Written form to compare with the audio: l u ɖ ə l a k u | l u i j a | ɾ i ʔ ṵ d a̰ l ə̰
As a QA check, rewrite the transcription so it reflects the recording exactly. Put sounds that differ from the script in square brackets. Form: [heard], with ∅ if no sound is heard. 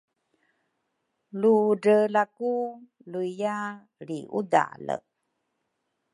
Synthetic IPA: l u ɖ ə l a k u | l u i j a | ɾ i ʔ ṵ d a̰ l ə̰

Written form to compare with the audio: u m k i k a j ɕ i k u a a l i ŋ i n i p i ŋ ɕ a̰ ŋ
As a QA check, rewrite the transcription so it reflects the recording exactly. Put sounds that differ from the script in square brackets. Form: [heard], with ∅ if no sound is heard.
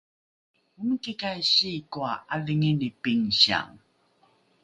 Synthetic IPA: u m k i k a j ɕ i k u a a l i ŋ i n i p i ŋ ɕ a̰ ŋ

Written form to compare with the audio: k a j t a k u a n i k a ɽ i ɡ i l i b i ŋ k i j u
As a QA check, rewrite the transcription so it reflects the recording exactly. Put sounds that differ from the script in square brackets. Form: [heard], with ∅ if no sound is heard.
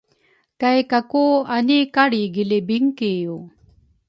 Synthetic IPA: k a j [k] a k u a n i k a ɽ i ɡ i l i b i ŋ k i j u

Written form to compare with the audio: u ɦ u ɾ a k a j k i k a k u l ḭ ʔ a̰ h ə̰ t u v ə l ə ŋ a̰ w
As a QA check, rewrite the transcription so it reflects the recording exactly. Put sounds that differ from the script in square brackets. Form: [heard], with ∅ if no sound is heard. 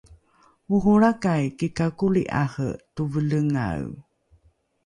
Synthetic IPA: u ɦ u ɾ a k a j k i k a k u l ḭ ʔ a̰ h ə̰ t u v ə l ə ŋ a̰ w

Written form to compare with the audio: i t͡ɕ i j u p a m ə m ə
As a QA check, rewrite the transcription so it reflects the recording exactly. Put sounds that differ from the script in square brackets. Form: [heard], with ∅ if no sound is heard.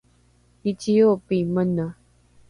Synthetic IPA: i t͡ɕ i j [o] p [i] m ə [n] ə

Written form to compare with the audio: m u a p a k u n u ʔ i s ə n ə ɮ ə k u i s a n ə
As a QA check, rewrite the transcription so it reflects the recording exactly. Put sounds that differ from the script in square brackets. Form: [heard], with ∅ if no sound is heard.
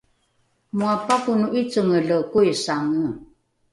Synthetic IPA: m u a p a k u n u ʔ i [t͡s] ə [ŋ] ə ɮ ə k u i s a [ŋ] ə

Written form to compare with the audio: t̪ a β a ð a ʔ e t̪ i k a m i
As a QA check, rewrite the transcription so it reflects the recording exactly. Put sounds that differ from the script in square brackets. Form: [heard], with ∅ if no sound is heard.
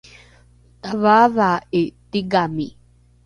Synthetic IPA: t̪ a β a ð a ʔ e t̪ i [ɡ] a m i

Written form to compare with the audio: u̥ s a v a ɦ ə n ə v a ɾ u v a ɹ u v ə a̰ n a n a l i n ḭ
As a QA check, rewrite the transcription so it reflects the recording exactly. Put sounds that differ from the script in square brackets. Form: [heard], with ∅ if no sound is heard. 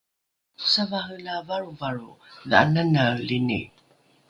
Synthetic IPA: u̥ s a v a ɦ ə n [a] v a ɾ u v a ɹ u [ð] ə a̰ n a n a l i n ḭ

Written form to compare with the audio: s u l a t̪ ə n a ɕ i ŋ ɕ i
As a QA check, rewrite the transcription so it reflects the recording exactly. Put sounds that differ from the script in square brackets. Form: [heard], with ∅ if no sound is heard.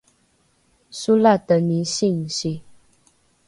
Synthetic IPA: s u l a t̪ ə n [i] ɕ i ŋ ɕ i

